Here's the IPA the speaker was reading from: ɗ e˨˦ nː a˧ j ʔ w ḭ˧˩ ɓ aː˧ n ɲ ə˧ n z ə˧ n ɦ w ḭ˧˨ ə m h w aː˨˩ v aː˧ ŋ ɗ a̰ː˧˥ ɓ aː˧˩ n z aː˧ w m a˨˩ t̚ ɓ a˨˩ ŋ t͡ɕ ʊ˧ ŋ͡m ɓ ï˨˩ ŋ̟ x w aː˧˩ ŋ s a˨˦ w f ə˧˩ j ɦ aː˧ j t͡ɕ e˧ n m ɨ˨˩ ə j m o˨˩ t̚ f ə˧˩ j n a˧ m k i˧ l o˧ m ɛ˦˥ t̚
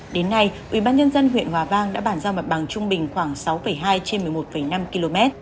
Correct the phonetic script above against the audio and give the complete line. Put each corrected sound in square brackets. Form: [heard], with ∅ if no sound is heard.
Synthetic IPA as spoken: ɗ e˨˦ nː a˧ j ʔ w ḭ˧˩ ɓ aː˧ n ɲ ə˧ n z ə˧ n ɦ w ḭ˧˨ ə [n] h w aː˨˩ v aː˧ ŋ ɗ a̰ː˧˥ ɓ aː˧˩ n z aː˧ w m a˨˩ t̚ ɓ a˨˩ ŋ t͡ɕ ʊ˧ ŋ͡m ɓ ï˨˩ ŋ̟ x w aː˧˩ ŋ s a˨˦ w f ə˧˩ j ɦ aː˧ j t͡ɕ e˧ n m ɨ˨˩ ə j m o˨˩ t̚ f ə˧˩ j n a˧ m k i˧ l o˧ m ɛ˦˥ t̚